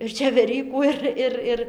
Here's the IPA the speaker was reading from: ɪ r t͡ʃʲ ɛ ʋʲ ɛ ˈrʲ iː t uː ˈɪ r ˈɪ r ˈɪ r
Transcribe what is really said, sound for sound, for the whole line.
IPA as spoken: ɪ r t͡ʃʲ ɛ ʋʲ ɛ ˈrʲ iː k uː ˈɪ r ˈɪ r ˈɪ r